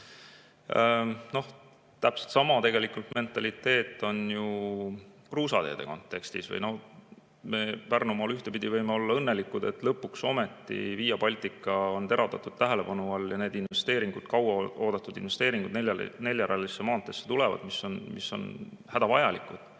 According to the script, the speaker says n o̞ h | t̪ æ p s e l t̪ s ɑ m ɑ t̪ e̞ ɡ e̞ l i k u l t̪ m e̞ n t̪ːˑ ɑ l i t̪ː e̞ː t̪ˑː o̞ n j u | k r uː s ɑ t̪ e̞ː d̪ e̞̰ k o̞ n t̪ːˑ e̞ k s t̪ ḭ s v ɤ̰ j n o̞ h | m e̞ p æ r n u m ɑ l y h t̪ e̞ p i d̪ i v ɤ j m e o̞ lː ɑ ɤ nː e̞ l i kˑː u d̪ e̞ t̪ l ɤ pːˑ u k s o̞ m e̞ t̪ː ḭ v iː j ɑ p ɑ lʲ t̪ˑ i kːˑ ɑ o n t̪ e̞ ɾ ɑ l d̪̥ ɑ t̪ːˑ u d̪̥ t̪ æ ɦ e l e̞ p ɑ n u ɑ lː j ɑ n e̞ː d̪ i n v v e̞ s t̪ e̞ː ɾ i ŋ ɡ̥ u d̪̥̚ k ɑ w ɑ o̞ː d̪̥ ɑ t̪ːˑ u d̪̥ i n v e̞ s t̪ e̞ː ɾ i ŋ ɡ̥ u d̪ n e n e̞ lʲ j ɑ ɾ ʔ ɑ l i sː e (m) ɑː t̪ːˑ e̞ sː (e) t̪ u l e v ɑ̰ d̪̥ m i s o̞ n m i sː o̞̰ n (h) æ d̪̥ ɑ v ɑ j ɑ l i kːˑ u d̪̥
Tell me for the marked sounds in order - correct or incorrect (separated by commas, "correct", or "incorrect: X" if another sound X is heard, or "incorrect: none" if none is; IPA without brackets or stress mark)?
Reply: correct, correct, correct